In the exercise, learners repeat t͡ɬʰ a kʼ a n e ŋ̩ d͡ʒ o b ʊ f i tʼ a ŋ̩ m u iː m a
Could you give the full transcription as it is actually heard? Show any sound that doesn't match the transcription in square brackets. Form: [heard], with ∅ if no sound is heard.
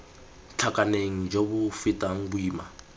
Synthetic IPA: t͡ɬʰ a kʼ a n e ŋ̩ d͡ʒ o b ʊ f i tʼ a ŋ̩ [b] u iː m a